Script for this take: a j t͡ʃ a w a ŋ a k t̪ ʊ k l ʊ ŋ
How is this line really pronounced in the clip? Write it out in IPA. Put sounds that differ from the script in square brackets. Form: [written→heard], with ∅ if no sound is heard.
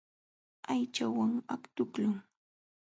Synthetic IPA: a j t͡ʃ a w a ŋ a k t̪ ʊ k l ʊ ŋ